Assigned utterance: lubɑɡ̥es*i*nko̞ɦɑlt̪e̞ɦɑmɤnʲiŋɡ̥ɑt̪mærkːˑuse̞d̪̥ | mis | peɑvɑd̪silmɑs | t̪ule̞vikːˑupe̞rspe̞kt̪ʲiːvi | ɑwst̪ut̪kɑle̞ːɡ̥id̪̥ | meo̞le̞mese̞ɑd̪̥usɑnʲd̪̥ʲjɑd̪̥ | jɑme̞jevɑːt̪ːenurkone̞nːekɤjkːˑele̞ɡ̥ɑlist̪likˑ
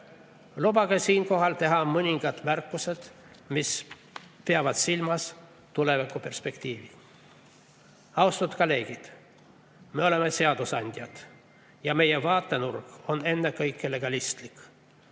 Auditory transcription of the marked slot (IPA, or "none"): iː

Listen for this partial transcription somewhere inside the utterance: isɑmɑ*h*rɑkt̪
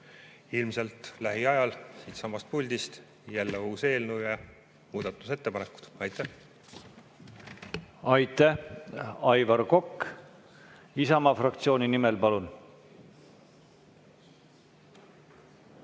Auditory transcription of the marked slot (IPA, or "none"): f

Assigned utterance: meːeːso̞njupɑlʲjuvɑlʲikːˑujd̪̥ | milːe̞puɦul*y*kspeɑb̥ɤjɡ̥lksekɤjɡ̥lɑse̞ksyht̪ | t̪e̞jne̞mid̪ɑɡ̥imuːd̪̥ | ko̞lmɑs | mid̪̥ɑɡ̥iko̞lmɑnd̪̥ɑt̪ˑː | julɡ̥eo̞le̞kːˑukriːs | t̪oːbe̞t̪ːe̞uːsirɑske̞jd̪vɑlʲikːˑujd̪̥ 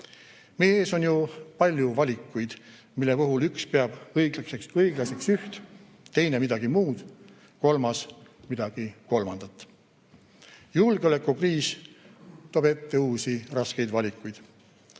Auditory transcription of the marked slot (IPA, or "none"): y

